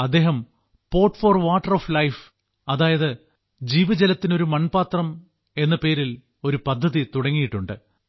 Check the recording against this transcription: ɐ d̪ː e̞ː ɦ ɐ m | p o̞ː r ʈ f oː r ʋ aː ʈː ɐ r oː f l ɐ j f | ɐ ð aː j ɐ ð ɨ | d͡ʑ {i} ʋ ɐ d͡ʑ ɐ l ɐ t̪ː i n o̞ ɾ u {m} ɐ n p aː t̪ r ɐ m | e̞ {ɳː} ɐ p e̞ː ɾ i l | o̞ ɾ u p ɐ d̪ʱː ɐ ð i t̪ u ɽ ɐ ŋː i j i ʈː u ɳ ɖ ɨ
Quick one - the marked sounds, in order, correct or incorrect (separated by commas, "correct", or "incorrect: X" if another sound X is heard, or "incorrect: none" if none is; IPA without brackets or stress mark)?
incorrect: iː, correct, incorrect: nː